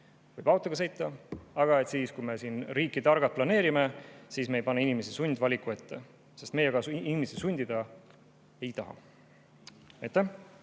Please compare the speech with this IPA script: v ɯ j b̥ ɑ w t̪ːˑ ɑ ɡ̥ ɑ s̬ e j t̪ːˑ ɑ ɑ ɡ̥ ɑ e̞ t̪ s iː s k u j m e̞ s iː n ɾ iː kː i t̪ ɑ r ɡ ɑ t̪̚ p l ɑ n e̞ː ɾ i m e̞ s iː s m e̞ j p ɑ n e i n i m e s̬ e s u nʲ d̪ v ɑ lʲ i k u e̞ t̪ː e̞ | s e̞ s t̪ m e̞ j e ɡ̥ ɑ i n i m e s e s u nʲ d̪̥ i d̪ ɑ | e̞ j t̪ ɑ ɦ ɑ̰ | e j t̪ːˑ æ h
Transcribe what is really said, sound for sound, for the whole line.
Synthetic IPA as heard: v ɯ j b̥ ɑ w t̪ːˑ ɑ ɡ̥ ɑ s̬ e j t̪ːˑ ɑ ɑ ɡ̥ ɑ e̞ t̪ s iː s k u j m e̞ s iː n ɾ iː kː i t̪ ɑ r ɡ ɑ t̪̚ p l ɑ n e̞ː ɾ i m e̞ s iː s m e̞ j p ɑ n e i n i m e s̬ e s u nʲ d̪ v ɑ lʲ i k u e̞ t̪ː e̞ | s e̞ s t̪ m e̞ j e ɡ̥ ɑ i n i m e s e s u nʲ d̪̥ i d̪ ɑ | e̞ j t̪ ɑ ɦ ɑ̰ | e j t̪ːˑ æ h